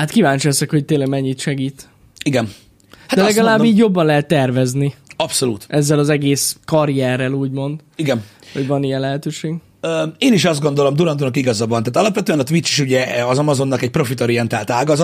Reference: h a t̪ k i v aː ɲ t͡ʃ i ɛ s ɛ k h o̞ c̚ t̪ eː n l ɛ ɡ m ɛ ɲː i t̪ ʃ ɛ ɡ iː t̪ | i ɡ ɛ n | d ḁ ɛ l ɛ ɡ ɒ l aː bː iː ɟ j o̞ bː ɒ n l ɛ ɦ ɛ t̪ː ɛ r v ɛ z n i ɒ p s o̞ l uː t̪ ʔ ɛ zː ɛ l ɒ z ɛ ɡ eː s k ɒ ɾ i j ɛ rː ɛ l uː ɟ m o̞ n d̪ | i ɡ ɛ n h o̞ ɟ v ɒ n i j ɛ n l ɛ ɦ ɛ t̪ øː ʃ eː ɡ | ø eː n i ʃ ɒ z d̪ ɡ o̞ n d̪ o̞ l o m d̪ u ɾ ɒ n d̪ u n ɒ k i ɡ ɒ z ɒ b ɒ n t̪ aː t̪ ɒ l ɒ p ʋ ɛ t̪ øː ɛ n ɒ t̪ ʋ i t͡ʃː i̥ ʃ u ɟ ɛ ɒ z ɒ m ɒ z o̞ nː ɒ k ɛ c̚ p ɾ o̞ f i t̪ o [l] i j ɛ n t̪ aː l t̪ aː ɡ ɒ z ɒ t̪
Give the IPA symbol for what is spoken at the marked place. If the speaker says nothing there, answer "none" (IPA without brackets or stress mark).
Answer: ɾ